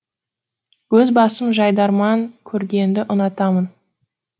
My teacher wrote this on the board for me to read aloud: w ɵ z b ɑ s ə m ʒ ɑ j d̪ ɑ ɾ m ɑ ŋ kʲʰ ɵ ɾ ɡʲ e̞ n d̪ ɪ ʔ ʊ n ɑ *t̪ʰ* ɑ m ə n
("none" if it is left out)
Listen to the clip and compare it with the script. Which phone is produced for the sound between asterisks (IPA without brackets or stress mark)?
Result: t̪